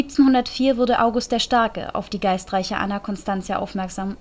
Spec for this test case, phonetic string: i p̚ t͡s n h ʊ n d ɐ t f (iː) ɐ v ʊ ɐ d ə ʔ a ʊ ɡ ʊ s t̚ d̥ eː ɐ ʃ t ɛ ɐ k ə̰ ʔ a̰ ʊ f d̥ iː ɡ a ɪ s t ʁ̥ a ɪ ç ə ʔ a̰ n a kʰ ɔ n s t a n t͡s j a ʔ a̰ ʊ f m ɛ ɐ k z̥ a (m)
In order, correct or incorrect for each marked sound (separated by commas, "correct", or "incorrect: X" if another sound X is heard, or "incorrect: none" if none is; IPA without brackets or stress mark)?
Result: correct, correct